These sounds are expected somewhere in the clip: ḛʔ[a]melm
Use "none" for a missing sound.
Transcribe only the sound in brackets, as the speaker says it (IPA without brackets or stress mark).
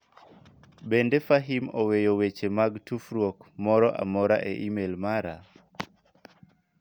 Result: i